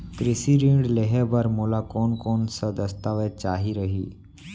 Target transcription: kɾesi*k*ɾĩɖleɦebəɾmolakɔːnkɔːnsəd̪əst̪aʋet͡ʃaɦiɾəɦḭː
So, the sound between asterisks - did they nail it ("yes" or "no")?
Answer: no